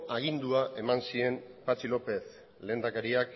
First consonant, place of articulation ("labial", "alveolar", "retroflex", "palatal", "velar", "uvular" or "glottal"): velar